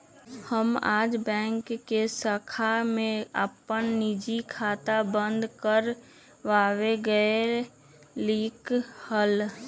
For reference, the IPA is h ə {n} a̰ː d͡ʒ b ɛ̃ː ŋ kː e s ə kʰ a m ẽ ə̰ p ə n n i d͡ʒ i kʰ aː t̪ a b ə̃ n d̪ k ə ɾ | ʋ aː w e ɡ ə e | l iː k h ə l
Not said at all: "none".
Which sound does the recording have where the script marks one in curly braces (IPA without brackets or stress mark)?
m